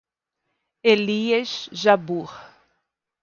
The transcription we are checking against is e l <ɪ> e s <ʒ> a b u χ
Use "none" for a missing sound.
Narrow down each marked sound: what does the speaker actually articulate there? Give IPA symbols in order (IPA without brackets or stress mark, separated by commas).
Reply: i, ʒ